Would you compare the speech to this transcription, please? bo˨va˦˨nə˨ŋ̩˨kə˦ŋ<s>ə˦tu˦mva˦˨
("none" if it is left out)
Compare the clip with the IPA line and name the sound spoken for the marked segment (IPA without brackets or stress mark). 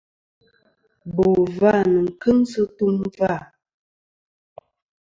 s